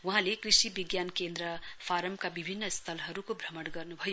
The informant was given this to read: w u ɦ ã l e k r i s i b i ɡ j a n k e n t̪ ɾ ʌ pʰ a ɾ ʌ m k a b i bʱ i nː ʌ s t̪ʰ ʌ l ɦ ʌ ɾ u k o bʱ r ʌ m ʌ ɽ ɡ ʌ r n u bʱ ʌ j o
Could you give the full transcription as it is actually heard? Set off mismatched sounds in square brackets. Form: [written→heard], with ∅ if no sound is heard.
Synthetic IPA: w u ɦ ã l e k r i s i b i ɡ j a n k e n [t̪→d̪] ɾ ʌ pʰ a ɾ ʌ m k a b i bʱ i nː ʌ s t̪ʰ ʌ l ɦ ʌ ɾ u k o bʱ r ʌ m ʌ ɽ ɡ ʌ r n u bʱ ʌ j o